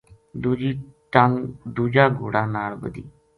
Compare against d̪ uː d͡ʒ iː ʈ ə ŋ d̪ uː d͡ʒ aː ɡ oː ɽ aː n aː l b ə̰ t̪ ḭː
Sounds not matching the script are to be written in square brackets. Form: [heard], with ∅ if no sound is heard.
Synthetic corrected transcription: d̪ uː d͡ʒ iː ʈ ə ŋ d̪ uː d͡ʒ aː ɡ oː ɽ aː n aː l b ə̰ [d̪] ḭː